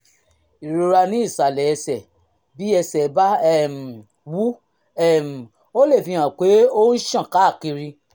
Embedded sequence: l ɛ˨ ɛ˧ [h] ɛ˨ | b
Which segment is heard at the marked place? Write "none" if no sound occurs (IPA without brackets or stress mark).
s